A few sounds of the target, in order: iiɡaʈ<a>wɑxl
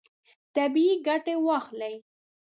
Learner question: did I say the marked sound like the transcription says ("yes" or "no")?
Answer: no